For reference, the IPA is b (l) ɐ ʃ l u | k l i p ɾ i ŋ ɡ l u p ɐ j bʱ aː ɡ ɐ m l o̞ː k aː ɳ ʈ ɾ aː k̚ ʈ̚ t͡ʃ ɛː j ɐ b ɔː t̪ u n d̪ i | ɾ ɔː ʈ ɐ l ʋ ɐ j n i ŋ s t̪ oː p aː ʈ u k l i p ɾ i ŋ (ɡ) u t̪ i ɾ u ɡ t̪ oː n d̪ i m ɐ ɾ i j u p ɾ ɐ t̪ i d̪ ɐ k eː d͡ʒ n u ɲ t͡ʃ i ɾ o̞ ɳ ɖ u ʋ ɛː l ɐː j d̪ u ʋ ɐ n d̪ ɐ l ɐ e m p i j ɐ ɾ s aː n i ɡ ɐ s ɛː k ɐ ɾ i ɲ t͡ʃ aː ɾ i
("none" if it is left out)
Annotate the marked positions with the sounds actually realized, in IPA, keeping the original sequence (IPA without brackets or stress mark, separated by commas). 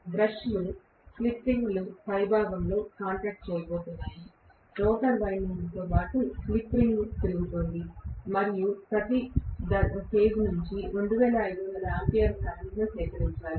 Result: ɾ, ɡ